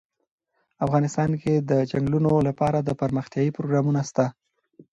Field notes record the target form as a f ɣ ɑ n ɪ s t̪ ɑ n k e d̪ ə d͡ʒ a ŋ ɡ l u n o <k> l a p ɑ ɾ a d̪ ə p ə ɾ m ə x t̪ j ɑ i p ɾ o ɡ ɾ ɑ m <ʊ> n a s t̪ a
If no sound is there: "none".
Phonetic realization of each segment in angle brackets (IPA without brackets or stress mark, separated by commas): none, u